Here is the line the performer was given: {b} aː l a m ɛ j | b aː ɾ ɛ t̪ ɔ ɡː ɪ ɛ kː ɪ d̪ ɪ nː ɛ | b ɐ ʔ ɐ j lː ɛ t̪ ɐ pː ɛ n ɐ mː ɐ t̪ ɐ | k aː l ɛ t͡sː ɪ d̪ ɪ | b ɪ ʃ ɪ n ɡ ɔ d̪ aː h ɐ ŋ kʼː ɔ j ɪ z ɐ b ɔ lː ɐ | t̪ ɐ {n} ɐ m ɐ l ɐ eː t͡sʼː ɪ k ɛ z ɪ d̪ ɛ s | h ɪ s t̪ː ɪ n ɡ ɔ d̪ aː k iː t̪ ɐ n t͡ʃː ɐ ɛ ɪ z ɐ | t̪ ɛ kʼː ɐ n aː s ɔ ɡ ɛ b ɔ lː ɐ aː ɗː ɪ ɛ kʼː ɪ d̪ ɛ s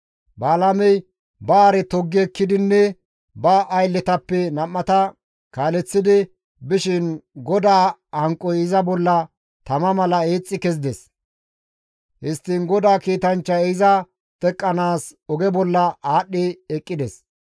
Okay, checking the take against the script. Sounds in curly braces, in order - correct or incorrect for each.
correct, incorrect

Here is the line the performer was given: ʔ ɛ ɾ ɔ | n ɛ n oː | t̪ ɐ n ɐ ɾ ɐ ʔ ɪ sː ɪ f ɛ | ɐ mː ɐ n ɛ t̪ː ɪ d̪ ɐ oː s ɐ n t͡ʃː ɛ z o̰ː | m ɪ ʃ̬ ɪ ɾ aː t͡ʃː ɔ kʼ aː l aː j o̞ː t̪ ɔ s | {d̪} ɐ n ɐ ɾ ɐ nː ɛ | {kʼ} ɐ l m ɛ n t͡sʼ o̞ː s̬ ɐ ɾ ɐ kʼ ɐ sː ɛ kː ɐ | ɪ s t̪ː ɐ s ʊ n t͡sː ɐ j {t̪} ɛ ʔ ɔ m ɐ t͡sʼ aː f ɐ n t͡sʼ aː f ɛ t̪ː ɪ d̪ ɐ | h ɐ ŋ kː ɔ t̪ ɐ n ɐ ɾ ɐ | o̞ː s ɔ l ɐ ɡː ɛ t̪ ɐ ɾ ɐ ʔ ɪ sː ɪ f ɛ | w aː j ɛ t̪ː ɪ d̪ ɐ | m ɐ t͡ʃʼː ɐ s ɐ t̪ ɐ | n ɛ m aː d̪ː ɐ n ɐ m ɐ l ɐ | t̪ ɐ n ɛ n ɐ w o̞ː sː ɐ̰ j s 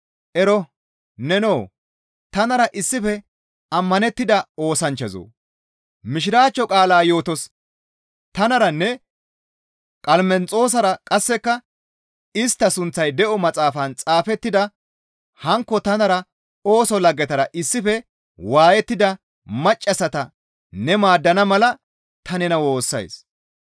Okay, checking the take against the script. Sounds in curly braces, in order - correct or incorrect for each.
incorrect, correct, incorrect

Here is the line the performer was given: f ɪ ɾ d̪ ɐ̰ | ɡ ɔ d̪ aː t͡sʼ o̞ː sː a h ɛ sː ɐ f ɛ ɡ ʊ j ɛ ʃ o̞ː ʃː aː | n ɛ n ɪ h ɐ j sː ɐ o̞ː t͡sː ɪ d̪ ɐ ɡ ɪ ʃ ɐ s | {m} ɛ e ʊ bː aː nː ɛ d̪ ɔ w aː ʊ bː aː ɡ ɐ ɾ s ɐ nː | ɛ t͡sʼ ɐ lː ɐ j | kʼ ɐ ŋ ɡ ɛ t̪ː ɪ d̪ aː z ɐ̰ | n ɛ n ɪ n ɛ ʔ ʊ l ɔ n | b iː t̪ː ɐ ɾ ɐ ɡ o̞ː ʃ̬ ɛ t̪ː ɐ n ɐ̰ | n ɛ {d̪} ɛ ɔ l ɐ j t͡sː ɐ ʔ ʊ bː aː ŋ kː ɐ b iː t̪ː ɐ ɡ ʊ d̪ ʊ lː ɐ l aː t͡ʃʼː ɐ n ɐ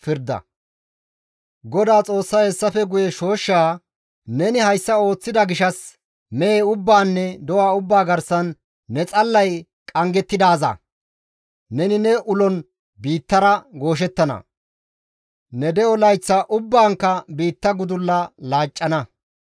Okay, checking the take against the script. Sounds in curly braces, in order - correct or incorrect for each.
correct, correct

